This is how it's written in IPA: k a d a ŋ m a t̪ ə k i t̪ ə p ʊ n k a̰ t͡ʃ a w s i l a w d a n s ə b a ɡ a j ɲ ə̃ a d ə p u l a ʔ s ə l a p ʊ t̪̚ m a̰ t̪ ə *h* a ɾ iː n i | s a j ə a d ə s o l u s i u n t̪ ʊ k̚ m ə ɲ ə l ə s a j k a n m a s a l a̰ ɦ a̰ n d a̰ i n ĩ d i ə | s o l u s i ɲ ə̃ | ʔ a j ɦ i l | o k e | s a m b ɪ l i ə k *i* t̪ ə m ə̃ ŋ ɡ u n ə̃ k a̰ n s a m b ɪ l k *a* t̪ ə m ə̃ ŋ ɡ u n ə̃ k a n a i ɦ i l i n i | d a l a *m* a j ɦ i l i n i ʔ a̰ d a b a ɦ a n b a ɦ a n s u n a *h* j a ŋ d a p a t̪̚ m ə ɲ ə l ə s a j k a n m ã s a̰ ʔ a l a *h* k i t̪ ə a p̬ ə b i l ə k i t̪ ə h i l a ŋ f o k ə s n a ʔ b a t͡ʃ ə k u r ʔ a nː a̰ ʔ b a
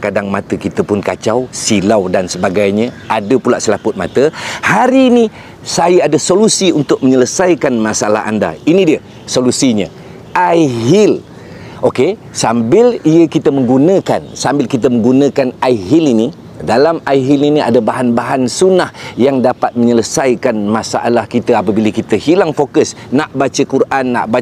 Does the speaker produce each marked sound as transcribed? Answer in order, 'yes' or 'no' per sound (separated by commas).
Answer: yes, yes, no, yes, yes, yes